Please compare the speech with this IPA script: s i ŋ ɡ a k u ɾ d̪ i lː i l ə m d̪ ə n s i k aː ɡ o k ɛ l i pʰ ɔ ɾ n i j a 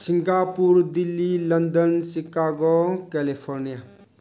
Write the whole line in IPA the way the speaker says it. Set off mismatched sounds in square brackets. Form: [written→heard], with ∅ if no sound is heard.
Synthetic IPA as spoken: s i ŋ ɡ a [k→p] u ɾ d̪ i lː i l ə [m→n] d̪ ə n s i k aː ɡ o k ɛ l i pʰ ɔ ɾ n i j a